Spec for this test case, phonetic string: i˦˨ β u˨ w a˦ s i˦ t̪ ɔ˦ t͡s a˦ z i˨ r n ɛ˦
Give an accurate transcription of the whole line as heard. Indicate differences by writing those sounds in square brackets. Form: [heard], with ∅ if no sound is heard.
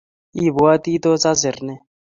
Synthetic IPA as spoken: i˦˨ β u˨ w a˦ [t] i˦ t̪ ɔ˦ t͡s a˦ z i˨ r n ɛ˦